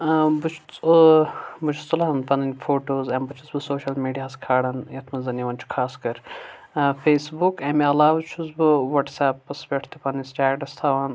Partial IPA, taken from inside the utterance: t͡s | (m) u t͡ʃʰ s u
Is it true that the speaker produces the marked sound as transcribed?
no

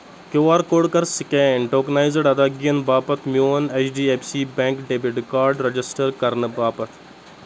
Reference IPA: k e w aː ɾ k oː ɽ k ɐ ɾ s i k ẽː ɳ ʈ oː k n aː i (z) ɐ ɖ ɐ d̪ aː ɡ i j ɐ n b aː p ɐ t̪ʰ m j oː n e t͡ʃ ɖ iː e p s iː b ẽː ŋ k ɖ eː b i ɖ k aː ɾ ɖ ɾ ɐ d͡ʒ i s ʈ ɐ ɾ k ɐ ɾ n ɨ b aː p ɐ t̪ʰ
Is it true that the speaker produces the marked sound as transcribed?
yes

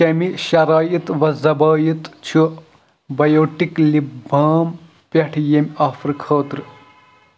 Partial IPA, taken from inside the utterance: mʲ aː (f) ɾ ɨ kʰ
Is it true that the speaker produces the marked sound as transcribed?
yes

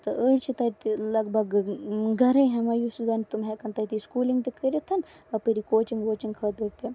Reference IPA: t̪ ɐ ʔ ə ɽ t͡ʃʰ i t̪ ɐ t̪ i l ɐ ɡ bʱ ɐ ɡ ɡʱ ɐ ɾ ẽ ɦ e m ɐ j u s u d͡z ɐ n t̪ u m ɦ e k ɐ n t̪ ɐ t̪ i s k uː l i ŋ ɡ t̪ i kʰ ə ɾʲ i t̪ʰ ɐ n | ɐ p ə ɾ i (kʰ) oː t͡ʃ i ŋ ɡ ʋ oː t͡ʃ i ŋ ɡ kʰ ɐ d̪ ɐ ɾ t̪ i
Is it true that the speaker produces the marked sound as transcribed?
no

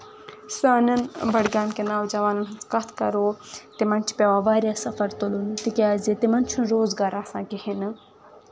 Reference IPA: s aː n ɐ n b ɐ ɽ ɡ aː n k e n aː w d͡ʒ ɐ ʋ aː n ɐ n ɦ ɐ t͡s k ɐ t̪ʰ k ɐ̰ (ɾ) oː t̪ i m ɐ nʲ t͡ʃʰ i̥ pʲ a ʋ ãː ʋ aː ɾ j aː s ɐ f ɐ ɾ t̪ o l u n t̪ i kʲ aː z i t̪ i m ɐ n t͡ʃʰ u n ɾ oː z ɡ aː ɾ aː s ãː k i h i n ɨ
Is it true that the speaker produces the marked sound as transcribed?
yes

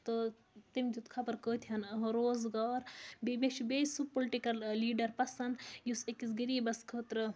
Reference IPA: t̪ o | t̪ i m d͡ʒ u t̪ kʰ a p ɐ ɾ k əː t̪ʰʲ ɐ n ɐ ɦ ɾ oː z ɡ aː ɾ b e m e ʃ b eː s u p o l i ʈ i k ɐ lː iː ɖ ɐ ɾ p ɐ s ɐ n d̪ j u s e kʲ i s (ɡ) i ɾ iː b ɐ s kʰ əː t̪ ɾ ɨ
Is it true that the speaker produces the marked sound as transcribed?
yes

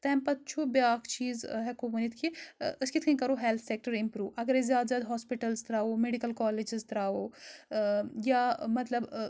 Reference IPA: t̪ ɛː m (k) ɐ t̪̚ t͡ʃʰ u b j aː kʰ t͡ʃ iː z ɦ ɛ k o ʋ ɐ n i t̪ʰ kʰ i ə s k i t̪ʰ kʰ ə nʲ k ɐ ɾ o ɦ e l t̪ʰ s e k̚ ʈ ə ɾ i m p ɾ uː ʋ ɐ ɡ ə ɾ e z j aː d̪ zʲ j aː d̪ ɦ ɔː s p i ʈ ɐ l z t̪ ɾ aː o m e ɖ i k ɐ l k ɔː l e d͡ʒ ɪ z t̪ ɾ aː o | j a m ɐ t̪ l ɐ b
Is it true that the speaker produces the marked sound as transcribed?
no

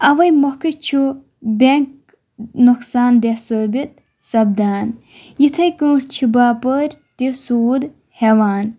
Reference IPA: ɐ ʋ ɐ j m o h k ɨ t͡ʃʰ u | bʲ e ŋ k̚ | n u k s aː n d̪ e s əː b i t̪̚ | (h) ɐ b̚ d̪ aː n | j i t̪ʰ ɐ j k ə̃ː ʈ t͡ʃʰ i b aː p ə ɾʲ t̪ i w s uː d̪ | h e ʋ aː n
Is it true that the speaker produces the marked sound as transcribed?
no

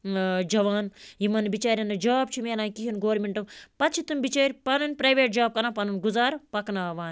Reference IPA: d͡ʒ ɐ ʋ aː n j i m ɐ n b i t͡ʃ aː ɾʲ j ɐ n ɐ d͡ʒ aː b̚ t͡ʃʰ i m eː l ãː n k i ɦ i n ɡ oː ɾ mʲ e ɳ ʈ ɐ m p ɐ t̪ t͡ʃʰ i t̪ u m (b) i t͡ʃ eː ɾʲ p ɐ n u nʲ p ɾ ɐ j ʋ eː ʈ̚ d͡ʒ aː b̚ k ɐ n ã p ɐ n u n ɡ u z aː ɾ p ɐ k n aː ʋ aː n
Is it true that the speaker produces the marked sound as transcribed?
yes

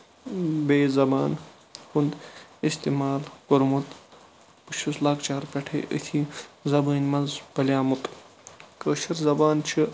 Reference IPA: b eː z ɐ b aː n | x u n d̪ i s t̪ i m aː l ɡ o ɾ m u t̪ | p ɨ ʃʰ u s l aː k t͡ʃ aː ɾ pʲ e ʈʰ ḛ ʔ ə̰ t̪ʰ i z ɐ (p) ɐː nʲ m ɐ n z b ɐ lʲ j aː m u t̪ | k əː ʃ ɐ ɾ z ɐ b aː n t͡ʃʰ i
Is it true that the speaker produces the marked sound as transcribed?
no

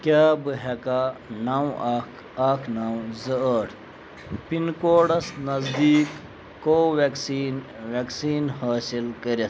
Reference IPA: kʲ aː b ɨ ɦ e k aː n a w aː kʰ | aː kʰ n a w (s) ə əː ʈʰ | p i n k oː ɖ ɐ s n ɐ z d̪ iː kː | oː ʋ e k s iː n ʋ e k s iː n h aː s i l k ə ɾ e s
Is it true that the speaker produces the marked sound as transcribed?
no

